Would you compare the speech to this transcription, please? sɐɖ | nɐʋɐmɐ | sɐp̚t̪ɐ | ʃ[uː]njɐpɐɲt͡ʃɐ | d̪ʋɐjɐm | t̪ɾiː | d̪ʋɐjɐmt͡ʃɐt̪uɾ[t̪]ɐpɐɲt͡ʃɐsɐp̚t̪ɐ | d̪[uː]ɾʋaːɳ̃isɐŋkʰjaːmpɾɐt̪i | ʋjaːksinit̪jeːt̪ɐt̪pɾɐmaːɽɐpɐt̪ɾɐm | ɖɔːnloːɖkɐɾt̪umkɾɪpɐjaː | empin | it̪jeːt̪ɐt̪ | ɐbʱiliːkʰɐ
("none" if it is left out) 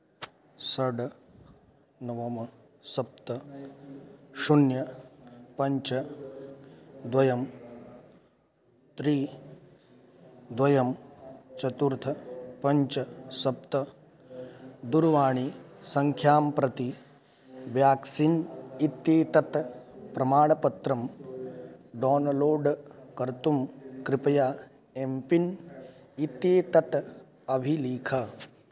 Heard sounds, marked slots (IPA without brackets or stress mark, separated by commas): u, t̪ʰ, u